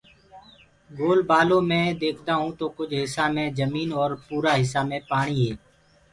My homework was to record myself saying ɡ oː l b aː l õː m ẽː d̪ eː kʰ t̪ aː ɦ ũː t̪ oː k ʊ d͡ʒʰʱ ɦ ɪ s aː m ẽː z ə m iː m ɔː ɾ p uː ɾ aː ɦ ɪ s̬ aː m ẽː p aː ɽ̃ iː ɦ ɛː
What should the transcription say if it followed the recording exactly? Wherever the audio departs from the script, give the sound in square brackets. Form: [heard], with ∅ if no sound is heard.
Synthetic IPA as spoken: ɡ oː l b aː l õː m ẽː d̪ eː kʰ t̪ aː ɦ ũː t̪ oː k ʊ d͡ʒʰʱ ɦ ɪ s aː m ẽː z ə m iː [n] ɔː ɾ p uː ɾ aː ɦ ɪ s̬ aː m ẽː p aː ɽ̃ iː ɦ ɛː